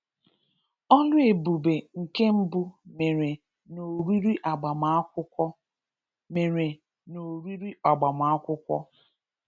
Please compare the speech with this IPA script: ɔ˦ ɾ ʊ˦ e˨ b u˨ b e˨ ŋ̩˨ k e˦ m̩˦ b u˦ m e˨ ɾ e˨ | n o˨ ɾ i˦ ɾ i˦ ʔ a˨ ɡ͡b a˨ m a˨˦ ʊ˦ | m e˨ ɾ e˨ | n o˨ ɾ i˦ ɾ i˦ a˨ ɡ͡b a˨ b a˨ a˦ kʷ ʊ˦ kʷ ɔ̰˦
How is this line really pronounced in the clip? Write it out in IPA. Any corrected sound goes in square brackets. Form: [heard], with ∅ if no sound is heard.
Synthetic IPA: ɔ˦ [l] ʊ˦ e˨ b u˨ b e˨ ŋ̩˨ k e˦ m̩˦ b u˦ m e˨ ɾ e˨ | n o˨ ɾ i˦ ɾ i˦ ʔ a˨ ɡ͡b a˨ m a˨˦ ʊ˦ | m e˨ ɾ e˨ | n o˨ ɾ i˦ ɾ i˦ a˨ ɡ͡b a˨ [m] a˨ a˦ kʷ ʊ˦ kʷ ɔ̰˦